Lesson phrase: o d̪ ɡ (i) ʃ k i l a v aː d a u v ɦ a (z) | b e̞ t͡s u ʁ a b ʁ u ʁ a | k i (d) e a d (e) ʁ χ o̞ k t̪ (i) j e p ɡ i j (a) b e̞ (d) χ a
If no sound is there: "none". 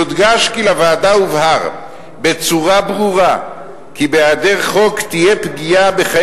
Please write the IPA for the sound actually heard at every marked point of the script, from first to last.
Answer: a, ʁ, b, e, i, a, none

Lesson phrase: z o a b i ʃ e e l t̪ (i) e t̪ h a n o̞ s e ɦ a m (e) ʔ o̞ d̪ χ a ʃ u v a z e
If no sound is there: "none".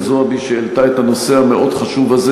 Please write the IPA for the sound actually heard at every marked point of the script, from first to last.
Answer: a, e

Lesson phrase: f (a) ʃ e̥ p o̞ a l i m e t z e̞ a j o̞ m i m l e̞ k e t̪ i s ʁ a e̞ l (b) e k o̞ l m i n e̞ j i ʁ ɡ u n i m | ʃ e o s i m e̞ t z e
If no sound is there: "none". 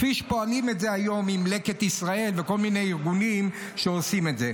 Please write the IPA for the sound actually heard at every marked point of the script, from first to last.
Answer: i, v

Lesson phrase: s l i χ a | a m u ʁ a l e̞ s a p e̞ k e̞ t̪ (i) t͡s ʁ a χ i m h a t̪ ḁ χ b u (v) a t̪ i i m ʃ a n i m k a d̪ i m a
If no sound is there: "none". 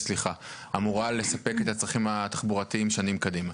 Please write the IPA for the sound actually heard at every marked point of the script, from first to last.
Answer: a, ʁ

